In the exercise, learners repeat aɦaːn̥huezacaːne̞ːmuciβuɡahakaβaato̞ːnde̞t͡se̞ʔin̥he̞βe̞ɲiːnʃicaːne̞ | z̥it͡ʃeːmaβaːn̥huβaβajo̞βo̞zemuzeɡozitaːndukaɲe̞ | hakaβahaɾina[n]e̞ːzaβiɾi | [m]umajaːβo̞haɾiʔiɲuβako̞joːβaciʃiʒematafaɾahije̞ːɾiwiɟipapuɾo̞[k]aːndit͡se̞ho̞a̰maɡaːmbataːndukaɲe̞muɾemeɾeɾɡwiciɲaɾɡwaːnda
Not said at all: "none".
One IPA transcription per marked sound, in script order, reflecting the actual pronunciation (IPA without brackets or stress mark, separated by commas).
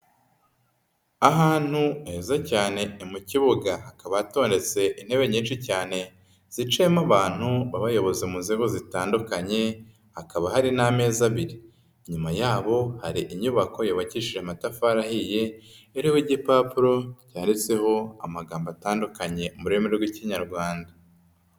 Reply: m, ɲ, c